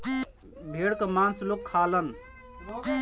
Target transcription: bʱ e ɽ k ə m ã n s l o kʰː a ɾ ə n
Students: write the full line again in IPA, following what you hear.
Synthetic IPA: bʱ e ɽ k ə m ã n s l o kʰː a l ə n